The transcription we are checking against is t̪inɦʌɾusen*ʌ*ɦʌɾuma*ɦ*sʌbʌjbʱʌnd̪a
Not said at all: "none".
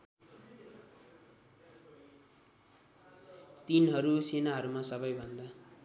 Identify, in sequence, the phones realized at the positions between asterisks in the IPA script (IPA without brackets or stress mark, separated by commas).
a, none